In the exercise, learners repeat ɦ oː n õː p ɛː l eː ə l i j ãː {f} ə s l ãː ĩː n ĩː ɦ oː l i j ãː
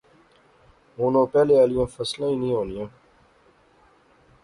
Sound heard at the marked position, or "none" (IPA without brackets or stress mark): f